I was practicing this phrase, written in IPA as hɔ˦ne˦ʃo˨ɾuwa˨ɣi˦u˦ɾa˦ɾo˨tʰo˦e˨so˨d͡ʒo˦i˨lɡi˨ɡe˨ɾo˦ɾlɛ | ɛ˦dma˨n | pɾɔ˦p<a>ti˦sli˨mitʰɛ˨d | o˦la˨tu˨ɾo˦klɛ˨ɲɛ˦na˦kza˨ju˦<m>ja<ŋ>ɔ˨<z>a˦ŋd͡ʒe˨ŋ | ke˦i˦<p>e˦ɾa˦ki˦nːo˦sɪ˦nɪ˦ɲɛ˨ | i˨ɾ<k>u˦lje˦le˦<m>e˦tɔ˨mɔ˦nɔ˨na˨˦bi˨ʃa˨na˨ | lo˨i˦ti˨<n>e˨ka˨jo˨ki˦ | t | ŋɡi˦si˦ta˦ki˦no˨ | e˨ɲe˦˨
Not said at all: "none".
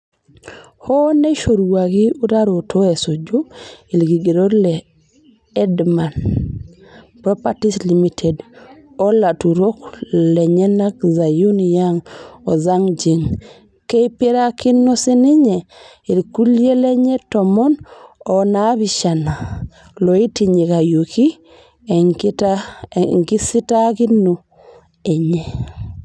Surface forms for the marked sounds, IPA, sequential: a, n, ŋ, z, p, k, ɲ, ɲ

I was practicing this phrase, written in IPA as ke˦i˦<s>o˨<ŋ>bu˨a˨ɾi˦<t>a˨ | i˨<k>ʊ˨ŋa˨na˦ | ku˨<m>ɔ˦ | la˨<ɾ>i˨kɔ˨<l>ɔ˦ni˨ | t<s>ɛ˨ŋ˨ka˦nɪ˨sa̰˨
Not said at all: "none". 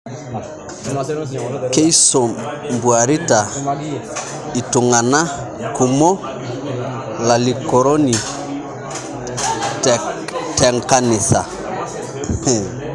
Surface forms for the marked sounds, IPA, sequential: s, m, t, t, m, l, ɾ, t

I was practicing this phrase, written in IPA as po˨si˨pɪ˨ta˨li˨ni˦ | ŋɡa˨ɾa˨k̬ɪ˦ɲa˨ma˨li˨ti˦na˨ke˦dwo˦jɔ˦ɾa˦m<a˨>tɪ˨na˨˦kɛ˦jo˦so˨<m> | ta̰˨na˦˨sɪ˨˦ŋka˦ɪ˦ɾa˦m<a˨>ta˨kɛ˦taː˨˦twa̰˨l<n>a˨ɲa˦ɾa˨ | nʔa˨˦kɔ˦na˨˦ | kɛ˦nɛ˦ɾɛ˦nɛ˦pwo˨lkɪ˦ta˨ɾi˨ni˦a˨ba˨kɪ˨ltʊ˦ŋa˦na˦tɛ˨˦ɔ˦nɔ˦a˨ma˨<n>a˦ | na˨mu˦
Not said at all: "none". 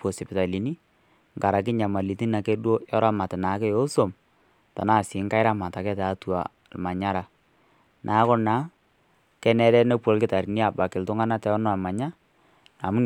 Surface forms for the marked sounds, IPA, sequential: a˨, m, a˨, m, ɲ

